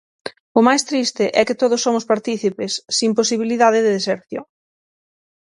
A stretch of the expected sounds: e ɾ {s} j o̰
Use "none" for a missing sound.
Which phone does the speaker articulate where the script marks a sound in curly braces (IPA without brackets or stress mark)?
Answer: θ